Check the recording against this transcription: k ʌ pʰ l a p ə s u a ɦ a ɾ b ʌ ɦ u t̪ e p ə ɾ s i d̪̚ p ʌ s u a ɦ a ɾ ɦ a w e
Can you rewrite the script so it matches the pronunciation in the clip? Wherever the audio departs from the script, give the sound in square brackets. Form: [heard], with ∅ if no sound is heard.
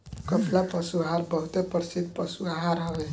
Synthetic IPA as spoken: k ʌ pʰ l a p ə s u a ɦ a ɾ b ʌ ɦ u t̪ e p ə ɾ s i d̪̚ p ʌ s u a ɦ a ɾ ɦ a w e